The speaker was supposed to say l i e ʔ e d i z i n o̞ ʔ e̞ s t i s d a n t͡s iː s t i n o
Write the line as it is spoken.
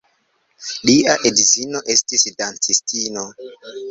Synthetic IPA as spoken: l i a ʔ e d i z i n o̞ ʔ e̞ s t i s d a n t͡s i s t i n o